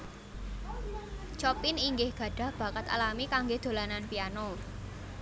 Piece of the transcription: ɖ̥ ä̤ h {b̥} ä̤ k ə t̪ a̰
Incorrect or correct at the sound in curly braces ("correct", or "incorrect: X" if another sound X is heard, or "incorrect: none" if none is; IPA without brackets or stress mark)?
correct